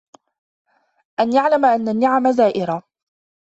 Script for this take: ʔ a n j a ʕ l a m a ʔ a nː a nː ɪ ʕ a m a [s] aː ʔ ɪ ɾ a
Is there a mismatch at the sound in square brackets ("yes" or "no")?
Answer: yes